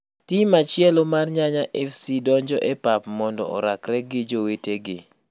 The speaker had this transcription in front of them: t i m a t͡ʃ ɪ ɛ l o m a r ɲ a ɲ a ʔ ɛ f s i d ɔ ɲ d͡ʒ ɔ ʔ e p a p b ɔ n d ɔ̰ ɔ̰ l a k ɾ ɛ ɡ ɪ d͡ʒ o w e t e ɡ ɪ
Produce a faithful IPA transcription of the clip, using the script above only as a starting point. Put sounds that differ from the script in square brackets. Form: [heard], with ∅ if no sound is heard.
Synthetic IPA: t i m a t͡ʃ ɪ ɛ l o m a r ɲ a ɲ a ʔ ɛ f s i d ɔ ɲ d͡ʒ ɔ ʔ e p a p [m] ɔ n d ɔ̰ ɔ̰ [ɾ] a k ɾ ɛ ɡ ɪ d͡ʒ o w e t e ɡ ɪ